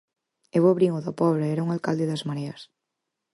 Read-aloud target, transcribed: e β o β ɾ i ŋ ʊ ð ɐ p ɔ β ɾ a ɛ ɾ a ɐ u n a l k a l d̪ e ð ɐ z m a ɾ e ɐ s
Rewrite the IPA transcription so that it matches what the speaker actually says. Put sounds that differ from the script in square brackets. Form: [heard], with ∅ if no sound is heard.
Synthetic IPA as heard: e β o β ɾ i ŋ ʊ ð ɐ p ɔ β ɾ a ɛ ɾ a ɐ u [ŋ] a l k a l d̪ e ð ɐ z m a ɾ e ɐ s